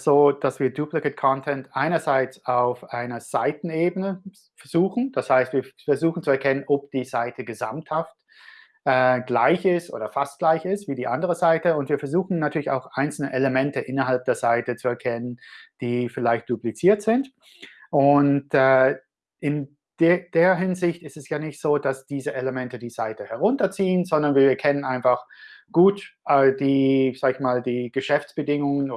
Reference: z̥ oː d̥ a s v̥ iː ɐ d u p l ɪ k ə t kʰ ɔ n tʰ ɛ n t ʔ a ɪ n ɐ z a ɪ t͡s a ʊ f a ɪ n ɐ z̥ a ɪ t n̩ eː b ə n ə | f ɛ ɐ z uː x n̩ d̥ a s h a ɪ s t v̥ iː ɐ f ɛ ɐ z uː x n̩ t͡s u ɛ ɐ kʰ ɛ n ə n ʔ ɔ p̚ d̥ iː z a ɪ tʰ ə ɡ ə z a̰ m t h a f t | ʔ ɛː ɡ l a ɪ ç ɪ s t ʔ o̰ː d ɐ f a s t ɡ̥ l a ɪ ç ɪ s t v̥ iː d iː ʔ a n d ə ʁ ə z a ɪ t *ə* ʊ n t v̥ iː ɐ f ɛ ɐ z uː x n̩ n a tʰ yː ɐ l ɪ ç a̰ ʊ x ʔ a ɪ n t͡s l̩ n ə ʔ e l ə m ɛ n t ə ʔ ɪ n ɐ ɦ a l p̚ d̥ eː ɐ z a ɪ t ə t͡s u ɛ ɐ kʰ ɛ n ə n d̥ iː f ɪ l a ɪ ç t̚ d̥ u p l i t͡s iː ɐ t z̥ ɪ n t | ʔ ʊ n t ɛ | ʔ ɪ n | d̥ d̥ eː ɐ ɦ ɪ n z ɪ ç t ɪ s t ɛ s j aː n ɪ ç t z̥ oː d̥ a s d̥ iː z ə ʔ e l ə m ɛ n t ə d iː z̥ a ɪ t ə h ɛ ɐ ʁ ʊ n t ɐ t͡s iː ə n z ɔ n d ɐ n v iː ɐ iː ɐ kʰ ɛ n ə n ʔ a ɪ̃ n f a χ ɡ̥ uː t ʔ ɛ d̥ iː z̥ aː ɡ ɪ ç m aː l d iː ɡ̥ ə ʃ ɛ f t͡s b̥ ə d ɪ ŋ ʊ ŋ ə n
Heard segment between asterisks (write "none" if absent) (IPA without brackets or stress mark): ə